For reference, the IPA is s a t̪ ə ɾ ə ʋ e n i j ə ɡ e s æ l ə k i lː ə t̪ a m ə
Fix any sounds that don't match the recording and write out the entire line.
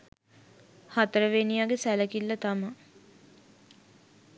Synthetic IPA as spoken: h a t̪ ə ɾ ə ʋ e n i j a ɡ e s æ l ə k i lː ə t̪ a m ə